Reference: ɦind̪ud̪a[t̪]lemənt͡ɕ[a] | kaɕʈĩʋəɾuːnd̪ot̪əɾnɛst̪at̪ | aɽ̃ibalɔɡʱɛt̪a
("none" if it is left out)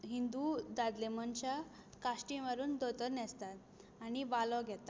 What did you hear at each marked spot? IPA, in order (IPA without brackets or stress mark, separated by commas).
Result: d̪, a